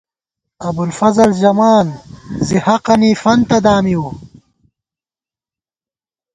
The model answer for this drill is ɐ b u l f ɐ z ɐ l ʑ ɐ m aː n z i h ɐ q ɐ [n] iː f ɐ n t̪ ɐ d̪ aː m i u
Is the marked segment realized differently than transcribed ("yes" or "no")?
no